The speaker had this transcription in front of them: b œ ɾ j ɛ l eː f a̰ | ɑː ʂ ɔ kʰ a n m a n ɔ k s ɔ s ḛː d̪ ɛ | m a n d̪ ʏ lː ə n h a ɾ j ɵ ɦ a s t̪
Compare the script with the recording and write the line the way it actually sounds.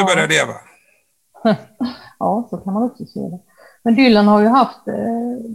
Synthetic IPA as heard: b œ ɾ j a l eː v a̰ | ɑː s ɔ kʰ a n m a n ɔ k s ɔ s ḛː d̪ ɛ | m ɛ n d̪ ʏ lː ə n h a ɾ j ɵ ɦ a f t̪